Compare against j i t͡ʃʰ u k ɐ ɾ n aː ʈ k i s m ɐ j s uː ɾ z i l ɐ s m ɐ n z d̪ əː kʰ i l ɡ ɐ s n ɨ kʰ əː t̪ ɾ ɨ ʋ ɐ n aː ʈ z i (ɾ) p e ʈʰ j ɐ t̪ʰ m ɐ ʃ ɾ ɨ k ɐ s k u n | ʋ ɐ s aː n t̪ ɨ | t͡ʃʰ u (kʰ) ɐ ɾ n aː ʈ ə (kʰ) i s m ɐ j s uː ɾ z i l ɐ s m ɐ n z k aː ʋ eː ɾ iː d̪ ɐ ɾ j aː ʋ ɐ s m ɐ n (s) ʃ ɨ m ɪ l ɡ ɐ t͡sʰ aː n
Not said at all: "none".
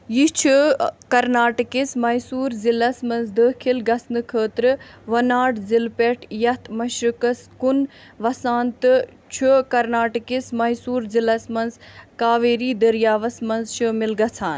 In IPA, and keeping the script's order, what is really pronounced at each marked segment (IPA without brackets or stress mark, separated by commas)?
l, k, k, z